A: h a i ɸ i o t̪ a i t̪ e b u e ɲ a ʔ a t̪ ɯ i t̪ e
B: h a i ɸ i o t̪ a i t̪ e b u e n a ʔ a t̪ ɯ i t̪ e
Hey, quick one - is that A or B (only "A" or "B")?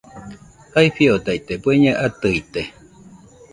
A